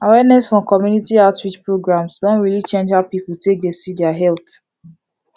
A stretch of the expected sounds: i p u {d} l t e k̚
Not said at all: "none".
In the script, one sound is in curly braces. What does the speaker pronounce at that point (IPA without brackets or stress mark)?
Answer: none